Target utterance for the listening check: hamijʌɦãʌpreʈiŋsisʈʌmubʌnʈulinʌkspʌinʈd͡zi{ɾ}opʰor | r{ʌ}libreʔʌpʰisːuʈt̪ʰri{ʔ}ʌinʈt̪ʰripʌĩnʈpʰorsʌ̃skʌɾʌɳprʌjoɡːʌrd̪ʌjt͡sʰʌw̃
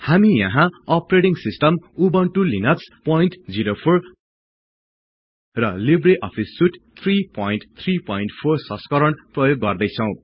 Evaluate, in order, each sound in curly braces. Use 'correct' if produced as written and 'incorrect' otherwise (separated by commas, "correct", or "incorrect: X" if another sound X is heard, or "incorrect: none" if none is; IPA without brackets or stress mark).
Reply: correct, correct, incorrect: p